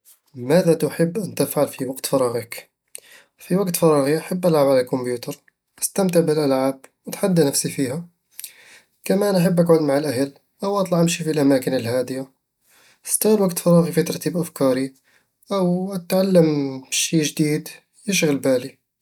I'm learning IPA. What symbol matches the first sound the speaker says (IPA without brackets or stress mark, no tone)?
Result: m